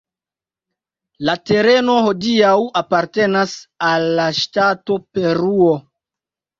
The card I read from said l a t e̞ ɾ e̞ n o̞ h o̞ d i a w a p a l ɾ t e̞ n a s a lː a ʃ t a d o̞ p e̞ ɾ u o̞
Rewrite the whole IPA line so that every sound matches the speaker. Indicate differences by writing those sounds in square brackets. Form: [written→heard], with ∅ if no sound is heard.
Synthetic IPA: l a t e̞ ɾ e̞ n o̞ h o̞ d i a w a p a [l→∅] ɾ t e̞ n a s a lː a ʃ t a [d→t] o̞ p e̞ ɾ u o̞

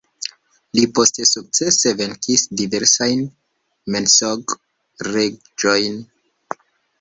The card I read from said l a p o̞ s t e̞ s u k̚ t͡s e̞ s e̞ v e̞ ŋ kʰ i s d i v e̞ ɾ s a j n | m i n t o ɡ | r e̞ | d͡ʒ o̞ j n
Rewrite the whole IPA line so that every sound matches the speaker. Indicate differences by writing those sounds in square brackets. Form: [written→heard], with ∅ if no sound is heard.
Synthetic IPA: l [a→i] p o̞ s t e̞ s u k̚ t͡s e̞ s e̞ v e̞ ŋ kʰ i s d i v e̞ ɾ s a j n | m [i→e] n [t→s] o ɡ | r e̞ | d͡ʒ o̞ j n

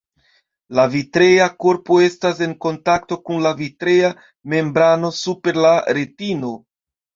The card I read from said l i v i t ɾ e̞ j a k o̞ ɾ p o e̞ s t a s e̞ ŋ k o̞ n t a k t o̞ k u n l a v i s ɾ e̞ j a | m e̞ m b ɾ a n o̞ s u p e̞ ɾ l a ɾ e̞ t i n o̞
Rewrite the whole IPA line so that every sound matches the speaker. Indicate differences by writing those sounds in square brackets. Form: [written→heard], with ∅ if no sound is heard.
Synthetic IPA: l [i→a] v i t ɾ e̞ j a k o̞ ɾ p o e̞ s t a s e̞ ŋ k o̞ n t a k t o̞ k u n l a v i [s→t] ɾ e̞ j a | m e̞ m b ɾ a n o̞ s u p e̞ ɾ l a ɾ e̞ t i n o̞

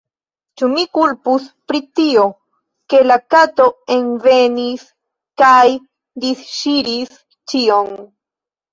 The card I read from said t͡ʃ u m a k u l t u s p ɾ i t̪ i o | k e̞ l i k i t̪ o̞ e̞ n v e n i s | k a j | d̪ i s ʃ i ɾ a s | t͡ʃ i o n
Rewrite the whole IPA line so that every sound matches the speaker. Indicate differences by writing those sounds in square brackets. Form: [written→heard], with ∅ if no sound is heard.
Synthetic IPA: t͡ʃ u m [a→i] k u l [t→p] u s p ɾ i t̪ i o | k e̞ l [i→a] k [i→a] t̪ o̞ e̞ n v e n i s | k a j | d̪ i s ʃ i ɾ [a→i] s | t͡ʃ i o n

